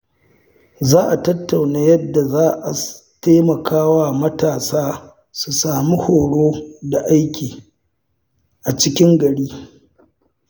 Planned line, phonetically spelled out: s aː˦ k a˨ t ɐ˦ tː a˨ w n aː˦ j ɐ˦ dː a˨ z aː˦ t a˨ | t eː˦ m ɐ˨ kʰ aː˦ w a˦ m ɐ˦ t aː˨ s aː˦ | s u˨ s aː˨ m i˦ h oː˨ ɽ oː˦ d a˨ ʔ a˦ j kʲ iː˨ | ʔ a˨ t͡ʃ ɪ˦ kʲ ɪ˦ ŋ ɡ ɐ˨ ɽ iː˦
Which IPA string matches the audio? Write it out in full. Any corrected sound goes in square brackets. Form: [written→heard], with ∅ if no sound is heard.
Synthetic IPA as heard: [s→z] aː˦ [k→ʔ] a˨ t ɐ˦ tː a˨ w n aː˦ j ɐ˦ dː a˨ z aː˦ [t→ʔ] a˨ | t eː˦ m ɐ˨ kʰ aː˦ w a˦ m ɐ˦ t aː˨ s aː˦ | s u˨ s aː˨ m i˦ h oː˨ ɽ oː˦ d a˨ ʔ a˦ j kʲ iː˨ | ʔ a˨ t͡ʃ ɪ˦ kʲ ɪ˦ ŋ ɡ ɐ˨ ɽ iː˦